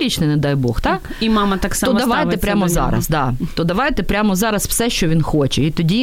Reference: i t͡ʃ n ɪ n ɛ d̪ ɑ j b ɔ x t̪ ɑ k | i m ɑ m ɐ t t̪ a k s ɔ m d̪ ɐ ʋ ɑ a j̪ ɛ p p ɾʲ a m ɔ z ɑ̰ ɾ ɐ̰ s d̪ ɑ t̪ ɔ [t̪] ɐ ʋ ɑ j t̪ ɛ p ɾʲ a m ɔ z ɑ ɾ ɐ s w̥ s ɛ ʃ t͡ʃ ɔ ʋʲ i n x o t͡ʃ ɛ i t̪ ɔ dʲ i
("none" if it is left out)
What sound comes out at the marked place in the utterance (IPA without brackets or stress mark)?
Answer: d̪